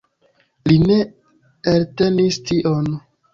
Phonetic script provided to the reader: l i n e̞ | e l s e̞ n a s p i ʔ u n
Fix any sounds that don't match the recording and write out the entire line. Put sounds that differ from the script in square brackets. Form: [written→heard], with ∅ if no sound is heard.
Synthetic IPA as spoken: l i n e̞ | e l [s→t] e̞ n [a→i] s [p→t] i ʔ [u→o] n